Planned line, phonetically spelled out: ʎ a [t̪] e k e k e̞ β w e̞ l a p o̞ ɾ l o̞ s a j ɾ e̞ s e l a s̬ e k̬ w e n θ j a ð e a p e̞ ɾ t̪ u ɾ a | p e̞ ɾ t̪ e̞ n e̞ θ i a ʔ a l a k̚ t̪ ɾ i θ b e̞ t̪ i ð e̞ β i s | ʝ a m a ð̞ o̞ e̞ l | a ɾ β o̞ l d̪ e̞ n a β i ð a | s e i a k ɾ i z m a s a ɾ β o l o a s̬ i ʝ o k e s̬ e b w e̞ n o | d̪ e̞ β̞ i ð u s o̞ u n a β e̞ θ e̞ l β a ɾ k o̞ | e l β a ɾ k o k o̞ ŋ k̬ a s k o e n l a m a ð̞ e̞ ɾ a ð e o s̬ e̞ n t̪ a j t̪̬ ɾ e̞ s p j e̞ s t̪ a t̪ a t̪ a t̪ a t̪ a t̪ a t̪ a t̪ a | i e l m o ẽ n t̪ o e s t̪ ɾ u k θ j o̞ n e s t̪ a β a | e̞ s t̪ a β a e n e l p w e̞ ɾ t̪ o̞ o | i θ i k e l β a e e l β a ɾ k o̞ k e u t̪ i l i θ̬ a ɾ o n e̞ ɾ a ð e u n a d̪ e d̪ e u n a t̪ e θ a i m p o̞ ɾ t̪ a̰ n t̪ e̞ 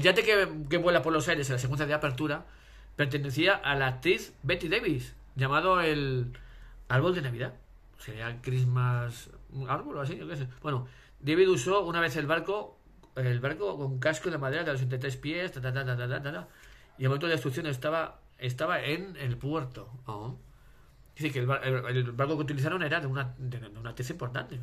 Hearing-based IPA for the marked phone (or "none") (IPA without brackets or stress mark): t̪